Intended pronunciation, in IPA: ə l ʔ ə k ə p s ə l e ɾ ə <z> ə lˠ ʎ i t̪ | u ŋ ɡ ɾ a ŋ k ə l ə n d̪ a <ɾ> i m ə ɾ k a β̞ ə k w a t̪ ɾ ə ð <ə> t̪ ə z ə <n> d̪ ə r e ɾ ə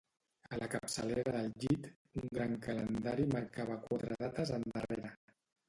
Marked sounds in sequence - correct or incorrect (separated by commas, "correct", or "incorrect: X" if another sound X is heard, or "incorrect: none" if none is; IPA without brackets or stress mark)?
incorrect: ð, correct, incorrect: a, correct